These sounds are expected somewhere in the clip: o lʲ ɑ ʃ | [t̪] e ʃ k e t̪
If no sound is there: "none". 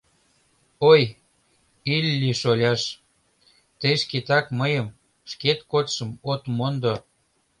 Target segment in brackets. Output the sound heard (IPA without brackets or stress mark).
t̪